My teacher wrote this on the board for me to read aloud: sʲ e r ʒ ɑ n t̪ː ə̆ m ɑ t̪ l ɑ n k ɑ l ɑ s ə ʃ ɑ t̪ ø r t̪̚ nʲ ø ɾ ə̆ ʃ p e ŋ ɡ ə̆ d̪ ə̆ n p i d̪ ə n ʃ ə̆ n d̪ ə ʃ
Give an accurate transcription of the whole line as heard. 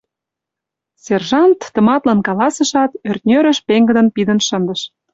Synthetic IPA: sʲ e r ʒ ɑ n t̪ː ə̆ m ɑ t̪ l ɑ n k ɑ l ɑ s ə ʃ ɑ t̪ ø r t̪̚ nʲ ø ɾ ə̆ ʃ p e ŋ ɡ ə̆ d̪ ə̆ n p i d̪ ə n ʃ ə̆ n d̪ ə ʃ